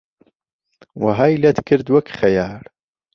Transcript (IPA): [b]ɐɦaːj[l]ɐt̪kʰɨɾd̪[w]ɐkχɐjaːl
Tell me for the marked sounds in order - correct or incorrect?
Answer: incorrect, correct, correct

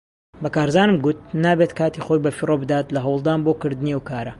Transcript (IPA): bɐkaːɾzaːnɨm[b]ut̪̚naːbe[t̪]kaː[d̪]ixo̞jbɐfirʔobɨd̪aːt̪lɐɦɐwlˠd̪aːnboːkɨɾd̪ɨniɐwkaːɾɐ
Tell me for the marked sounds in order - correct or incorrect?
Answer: incorrect, correct, incorrect

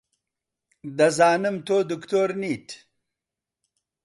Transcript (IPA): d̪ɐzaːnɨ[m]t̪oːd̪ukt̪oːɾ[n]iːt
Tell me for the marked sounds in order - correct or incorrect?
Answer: correct, correct

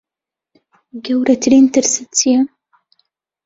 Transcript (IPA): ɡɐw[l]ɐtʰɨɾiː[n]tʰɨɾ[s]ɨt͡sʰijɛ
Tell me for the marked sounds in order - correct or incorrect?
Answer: incorrect, correct, correct

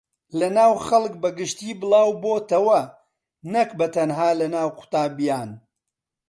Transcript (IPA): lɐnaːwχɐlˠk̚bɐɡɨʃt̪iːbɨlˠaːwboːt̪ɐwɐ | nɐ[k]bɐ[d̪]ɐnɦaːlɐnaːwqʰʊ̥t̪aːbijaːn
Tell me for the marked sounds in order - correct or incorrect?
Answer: correct, incorrect

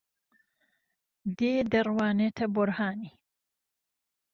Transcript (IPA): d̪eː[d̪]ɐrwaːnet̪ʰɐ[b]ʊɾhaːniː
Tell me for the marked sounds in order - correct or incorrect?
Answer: correct, correct

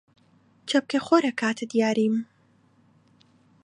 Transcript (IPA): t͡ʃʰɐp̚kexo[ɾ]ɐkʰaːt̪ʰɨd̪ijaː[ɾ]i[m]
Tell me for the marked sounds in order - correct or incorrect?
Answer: correct, correct, correct

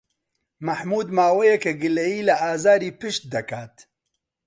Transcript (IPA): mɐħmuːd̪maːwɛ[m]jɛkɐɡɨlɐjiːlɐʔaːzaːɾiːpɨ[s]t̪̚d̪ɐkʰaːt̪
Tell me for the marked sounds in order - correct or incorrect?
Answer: incorrect, incorrect

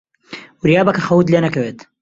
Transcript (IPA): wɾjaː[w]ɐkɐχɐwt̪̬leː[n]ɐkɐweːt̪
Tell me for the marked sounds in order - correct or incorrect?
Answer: incorrect, correct

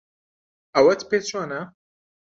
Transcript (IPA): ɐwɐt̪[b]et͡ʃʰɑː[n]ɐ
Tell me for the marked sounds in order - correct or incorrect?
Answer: incorrect, correct

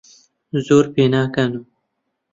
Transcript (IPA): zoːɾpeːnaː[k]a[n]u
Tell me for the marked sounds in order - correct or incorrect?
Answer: correct, correct

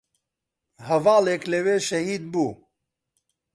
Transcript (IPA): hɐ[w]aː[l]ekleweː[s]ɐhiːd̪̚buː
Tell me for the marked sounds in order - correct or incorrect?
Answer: incorrect, correct, incorrect

